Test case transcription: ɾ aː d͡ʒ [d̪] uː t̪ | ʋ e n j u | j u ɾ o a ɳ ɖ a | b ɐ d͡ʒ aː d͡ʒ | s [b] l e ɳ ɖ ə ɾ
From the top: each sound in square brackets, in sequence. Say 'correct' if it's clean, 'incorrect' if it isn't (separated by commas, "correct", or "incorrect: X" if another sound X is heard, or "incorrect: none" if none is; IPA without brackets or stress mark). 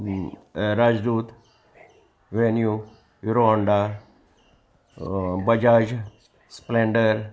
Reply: correct, incorrect: p